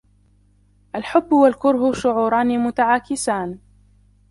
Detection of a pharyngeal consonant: present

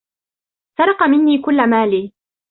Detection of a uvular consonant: present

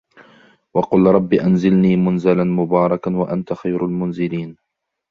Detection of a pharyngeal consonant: absent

